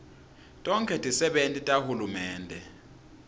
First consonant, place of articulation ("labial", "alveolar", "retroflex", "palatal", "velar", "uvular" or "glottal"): alveolar